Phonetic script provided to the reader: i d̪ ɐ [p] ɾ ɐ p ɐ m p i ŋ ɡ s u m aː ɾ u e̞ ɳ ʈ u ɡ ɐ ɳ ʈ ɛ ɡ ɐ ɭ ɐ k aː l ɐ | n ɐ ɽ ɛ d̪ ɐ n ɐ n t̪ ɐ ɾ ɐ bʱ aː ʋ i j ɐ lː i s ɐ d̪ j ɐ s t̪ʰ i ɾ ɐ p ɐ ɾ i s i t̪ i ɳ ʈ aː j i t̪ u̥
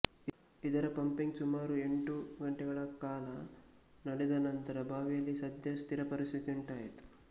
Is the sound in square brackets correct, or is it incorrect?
incorrect: none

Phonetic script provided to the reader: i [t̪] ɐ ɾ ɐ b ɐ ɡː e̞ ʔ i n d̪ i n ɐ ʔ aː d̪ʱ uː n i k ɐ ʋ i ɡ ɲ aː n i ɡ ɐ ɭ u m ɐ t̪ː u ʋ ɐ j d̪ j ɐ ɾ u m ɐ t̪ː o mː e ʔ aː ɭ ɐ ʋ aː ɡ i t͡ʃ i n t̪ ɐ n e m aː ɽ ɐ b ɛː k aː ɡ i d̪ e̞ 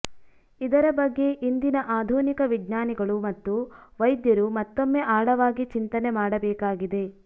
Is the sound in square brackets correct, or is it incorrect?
incorrect: d̪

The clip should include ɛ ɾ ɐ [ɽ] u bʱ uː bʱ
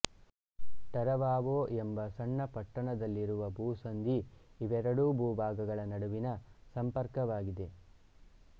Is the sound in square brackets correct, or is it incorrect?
correct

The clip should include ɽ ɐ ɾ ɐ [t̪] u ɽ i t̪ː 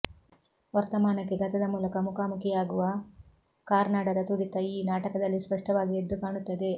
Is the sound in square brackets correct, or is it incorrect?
correct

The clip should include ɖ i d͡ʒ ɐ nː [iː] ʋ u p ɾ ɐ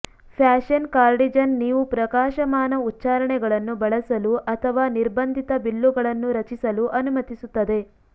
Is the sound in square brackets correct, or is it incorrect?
correct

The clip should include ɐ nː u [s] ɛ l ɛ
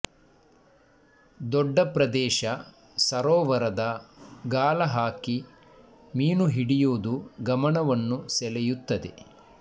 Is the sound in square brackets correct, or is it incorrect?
correct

